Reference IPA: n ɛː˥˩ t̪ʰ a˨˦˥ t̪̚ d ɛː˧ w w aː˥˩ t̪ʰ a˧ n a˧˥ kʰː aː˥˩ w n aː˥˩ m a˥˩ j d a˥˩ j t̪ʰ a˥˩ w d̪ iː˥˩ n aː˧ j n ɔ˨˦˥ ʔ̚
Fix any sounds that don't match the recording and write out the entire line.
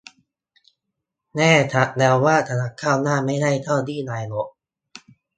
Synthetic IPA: n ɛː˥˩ t̪ʰ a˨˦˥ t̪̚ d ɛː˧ w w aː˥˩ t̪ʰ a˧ n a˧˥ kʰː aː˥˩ w n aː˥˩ m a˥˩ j d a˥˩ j t̪ʰ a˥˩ w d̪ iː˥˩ n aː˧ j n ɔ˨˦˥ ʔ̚